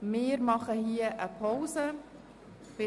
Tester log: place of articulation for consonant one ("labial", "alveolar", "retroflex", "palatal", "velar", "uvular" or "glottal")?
labial